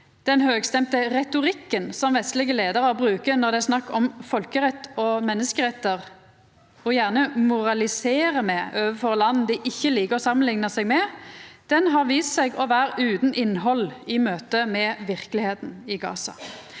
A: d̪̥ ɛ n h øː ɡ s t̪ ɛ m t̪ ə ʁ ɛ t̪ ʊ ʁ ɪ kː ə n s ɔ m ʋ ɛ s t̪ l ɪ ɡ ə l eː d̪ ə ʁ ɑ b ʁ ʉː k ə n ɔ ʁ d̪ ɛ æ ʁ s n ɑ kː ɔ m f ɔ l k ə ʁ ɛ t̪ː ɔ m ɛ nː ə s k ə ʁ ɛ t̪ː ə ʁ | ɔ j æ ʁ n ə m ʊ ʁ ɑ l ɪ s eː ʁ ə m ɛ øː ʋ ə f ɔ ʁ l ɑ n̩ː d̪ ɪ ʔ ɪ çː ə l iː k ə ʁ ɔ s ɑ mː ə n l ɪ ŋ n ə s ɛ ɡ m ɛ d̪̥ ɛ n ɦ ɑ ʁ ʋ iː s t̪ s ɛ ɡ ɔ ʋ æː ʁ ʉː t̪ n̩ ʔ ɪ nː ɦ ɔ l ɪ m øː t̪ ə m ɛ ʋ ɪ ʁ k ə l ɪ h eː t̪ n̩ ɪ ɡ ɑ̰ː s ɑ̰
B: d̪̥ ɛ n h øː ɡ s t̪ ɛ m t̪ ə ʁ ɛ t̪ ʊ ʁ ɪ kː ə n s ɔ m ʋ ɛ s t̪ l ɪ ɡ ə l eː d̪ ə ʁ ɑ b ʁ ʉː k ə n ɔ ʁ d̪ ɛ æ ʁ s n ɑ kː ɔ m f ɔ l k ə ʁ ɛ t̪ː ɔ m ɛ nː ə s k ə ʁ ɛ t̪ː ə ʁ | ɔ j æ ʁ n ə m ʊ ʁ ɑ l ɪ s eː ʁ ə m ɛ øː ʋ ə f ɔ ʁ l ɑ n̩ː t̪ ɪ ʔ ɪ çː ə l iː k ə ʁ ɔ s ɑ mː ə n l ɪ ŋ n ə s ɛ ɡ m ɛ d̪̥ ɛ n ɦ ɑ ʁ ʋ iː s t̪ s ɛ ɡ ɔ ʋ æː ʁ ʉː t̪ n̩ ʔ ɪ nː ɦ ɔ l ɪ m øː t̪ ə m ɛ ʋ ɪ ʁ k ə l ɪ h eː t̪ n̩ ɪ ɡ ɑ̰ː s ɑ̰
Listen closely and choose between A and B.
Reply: A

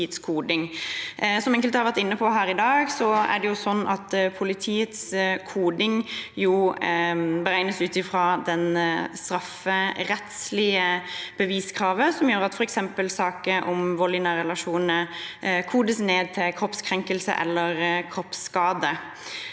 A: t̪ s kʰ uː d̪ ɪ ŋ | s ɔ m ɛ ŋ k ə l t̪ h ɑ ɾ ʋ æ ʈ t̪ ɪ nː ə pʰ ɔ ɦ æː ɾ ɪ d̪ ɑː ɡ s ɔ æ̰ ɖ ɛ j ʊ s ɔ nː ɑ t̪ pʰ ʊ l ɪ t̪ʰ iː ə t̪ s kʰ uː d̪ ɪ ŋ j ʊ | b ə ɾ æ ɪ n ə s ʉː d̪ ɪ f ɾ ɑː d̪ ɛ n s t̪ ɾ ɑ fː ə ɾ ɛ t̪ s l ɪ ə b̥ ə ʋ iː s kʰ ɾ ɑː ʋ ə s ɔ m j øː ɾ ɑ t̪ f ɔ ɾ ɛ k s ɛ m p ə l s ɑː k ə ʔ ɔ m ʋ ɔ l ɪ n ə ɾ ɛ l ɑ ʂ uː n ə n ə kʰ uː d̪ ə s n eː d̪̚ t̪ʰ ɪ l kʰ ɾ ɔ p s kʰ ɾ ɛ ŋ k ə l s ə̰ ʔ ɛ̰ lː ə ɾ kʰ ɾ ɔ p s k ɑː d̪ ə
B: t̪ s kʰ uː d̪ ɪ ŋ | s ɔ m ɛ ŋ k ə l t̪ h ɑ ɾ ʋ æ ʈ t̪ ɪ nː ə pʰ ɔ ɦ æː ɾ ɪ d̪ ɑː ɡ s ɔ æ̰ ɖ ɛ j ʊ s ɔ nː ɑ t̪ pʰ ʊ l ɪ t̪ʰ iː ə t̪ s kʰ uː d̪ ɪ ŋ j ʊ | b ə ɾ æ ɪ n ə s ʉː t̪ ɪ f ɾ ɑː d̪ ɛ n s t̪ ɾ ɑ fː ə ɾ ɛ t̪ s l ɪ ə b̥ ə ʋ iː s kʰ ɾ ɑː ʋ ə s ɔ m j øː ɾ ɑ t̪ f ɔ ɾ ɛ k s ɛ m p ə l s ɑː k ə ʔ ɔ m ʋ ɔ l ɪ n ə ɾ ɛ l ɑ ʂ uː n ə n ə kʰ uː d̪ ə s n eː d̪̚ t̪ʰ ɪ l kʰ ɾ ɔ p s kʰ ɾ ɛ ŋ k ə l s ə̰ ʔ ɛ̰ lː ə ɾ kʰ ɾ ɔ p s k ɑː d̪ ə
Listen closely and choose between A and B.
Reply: B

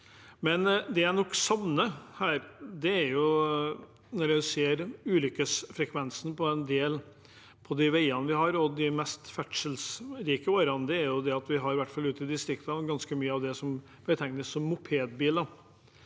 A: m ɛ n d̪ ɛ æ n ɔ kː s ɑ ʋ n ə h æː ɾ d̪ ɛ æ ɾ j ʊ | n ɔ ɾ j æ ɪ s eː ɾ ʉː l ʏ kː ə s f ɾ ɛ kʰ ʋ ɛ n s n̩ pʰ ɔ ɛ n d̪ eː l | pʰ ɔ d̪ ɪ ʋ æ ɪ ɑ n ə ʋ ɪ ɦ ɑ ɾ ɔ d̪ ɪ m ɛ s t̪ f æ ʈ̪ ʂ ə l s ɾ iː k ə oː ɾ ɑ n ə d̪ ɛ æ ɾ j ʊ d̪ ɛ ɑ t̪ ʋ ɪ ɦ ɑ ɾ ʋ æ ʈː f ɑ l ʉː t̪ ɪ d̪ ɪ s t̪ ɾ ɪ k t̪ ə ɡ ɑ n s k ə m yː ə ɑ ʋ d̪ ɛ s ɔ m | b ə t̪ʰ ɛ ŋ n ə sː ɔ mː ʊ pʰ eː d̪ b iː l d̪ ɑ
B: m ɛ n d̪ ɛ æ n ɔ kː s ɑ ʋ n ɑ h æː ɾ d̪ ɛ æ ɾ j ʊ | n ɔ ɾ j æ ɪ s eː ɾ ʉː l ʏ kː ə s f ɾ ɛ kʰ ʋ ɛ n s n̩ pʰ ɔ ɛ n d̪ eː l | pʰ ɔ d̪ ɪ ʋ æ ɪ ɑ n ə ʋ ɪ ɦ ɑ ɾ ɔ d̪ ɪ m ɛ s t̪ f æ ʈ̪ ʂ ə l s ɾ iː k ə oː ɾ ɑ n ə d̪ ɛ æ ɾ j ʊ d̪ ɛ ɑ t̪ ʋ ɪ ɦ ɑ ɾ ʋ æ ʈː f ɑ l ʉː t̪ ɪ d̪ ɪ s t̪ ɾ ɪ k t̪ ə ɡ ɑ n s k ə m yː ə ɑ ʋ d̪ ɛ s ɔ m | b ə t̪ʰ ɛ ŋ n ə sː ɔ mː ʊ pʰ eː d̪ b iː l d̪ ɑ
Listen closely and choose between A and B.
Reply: A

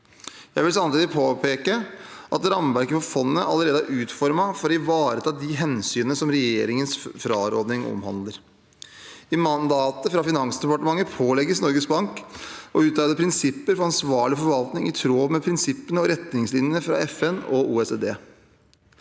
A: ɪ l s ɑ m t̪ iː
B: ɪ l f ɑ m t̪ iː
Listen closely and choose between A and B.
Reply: A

